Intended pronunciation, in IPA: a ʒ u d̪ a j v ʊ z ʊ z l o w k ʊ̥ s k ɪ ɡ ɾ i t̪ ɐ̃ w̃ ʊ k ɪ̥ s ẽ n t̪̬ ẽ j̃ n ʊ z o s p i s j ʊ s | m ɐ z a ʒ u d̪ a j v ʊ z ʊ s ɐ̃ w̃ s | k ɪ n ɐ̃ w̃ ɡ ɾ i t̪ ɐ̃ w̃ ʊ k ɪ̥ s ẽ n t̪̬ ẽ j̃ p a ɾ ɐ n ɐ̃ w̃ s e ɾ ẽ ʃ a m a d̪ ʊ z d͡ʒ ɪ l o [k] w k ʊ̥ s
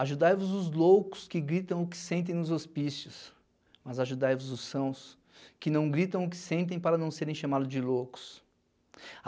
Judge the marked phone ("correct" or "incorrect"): incorrect